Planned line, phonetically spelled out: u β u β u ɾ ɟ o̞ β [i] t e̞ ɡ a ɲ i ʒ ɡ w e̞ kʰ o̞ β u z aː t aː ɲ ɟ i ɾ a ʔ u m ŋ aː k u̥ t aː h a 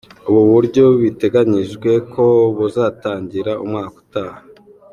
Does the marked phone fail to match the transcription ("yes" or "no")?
no